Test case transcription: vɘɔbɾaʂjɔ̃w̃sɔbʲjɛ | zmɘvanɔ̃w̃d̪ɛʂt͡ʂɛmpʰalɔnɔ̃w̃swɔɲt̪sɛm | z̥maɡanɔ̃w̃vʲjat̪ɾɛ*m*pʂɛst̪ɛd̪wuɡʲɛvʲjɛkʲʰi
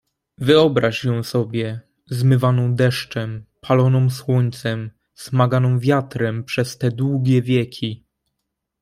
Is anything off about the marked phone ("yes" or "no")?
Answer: no